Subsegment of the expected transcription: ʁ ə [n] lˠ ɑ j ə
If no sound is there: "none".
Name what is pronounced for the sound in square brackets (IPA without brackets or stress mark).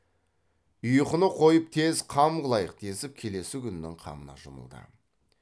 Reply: none